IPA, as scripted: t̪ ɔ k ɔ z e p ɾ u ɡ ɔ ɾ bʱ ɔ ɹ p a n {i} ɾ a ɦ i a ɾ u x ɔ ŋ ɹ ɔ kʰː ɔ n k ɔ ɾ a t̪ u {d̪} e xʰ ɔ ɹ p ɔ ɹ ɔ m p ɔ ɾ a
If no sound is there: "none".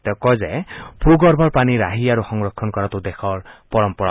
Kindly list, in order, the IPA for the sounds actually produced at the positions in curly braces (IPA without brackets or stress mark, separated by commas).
i, d̪